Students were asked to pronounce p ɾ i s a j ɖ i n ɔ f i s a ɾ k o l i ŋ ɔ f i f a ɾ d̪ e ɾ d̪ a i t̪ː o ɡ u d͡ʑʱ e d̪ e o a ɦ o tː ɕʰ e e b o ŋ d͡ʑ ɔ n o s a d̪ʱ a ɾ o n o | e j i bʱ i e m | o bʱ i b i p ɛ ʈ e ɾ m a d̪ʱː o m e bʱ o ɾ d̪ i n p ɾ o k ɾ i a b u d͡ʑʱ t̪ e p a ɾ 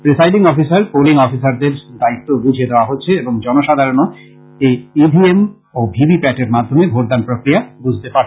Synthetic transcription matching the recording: p ɾ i s a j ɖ i ŋ ɔ f i s a ɾ p o l i ŋ ɔ f i s a ɾ d̪ e ɾ d̪ a i t̪ː o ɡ u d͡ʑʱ e d̪ e o a ɦ o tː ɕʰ e e b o ŋ d͡ʑ ɔ n o ʃ a d̪ʱ a ɾ o n o | e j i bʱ i e m | o bʱ i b i p ɛ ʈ e ɾ m a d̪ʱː o m e bʱ o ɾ d̪ a n p ɾ o k ɾ i a b u d͡ʑʱ t̪ e p a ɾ